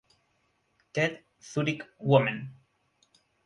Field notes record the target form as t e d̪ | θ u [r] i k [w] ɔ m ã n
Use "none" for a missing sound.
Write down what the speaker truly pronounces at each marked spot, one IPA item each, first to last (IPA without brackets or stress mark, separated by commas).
ɾ, w